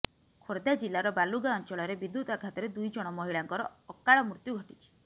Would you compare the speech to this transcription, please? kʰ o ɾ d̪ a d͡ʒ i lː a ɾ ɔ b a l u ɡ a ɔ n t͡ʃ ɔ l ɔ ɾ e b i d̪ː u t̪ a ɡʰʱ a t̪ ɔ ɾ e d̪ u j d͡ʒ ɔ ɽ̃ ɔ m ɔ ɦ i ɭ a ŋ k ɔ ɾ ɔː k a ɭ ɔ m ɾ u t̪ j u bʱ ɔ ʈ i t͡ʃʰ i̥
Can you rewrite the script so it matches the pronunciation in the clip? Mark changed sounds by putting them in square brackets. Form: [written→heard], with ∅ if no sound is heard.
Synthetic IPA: kʰ o ɾ d̪ a d͡ʒ i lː a ɾ ɔ b a l u ɡ a ɔ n t͡ʃ ɔ [l→ɭ] ɔ ɾ e b i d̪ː u t̪ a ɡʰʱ a t̪ ɔ ɾ e d̪ u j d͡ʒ ɔ ɽ̃ ɔ m ɔ ɦ i ɭ a ŋ k ɔ ɾ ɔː k a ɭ ɔ m ɾ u t̪ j u [bʱ→ɡʱ] ɔ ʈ i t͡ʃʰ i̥